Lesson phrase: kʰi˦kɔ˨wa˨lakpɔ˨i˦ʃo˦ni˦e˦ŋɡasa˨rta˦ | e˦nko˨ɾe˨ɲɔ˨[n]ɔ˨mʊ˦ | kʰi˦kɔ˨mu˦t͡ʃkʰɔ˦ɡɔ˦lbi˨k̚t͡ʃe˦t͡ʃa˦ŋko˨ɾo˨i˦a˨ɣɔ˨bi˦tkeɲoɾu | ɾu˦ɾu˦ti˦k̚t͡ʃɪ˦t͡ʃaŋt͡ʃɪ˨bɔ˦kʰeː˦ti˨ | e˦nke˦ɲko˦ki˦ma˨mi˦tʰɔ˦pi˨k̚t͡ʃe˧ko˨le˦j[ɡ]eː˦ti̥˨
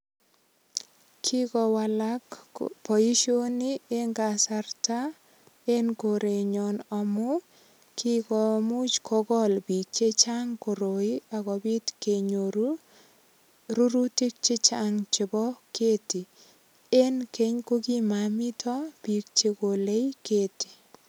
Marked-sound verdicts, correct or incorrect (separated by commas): correct, incorrect